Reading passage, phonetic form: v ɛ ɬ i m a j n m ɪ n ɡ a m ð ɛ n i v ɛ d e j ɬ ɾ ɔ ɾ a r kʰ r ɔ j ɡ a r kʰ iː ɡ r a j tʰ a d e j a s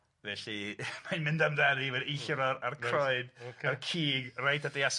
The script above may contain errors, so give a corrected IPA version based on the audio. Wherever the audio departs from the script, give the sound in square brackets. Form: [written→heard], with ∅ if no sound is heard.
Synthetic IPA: v ɛ ɬ i m a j n m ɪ n [ɡ→d] a m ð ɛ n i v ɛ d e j ɬ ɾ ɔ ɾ a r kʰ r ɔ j [ɡ→d] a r kʰ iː ɡ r a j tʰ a d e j a s

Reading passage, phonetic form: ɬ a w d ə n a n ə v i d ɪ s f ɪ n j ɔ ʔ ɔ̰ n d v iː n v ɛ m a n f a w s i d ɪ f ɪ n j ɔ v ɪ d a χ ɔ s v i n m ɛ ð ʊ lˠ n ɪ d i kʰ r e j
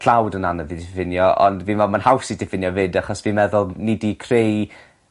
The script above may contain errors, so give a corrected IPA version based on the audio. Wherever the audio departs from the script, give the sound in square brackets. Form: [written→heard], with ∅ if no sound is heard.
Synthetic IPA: ɬ a w d ə n a n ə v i d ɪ [s→∅] f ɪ n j ɔ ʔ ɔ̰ n d v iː n v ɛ m a n [f→h] a w s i d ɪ f ɪ n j ɔ v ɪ d a χ ɔ s v i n m ɛ ð ʊ lˠ n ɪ d i kʰ r e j

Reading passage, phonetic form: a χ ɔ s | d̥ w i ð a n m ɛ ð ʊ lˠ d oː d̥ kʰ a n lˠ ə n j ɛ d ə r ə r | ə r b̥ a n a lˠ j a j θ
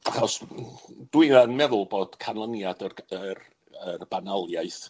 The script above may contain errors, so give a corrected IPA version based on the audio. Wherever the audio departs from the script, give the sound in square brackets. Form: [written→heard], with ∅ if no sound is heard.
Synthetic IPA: a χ ɔ s | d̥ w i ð a n m ɛ ð ʊ lˠ [d→b] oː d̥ kʰ a n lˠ ə n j [ɛ→a] d ə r ə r | ə r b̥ a n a lˠ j a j θ

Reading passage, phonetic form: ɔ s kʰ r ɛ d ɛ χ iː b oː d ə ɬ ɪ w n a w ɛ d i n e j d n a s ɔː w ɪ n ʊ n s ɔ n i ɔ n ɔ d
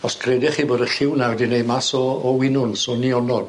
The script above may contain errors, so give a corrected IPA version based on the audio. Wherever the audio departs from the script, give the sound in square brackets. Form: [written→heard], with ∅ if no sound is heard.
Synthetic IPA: ɔ s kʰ r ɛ d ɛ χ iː b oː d ə ɬ ɪ w n a w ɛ d i n e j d [n→m] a s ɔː w ɪ n ʊ n s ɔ n i ɔ n ɔ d

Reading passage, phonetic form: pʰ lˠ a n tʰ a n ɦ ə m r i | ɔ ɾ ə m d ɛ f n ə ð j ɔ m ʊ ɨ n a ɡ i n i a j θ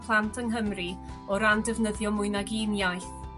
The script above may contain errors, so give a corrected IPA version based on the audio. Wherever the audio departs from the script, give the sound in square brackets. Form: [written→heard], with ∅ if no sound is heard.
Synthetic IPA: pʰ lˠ a n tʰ [a→ə] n ɦ ə m r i | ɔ ɾ [ə→a] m d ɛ [f→v] n ə ð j ɔ m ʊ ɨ n a ɡ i n [i→j] a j θ

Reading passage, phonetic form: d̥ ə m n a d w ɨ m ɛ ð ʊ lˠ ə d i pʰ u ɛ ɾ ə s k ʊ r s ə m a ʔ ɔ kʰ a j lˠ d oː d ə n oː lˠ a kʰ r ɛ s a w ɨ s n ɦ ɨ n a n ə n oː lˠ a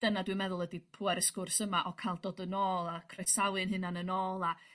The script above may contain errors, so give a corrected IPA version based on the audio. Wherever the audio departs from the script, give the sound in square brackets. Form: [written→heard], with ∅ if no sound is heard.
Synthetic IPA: d̥ ə [m→∅] n a d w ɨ m ɛ ð ʊ lˠ ə d i pʰ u ɛ ɾ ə s k ʊ r s ə m a ʔ ɔ kʰ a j lˠ d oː d ə n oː lˠ a kʰ r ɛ s a w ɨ [s→∅] n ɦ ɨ n a n ə n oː lˠ a

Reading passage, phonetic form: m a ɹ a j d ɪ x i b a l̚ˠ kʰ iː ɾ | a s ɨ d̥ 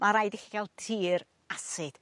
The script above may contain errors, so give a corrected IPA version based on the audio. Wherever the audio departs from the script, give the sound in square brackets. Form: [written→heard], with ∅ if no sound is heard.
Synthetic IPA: m a [ɹ→ɾ] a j d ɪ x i [b→ɡ] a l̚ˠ [kʰ→tʰ] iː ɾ | a s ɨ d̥

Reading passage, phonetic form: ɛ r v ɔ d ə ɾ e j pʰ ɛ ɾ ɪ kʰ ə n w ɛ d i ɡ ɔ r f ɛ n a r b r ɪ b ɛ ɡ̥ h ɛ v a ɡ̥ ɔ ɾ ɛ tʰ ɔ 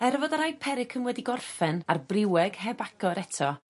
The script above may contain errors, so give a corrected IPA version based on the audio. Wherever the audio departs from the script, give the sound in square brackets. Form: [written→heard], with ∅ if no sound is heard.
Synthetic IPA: ɛ r v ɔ d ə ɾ [e→a] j pʰ ɛ ɾ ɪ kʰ ə n w ɛ d i ɡ ɔ r f ɛ n a r b r ɪ [b→w] ɛ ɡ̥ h ɛ [v→b] a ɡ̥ ɔ ɾ ɛ tʰ ɔ

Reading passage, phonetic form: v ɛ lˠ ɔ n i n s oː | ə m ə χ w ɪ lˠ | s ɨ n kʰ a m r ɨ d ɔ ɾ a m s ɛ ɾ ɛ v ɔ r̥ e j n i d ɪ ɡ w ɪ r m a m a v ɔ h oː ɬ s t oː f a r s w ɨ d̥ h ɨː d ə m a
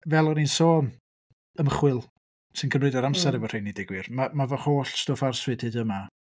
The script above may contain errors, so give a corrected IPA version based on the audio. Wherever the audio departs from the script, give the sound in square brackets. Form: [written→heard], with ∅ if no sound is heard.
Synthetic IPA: v ɛ lˠ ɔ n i n s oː | ə m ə χ w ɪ lˠ | s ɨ n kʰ [a→ə] m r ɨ d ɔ ɾ a m s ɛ ɾ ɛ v ɔ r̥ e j n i d ɪ ɡ w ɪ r m a m a v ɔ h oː ɬ s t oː f a r s w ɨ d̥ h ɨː d ə m a

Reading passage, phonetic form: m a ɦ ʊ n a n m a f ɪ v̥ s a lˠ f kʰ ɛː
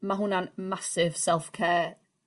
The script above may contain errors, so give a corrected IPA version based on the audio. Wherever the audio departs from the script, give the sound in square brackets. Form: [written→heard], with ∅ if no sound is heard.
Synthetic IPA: m a ɦ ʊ n a n m a [f→s] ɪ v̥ s [a→ɛ] lˠ f kʰ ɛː

